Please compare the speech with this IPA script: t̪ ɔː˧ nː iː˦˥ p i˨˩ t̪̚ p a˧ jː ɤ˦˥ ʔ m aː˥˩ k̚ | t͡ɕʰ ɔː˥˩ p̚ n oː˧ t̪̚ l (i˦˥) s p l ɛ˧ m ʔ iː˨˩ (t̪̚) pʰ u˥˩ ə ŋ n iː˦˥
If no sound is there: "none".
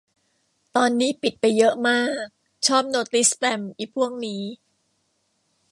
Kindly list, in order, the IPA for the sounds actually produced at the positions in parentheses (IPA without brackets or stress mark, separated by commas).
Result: i˦˥, none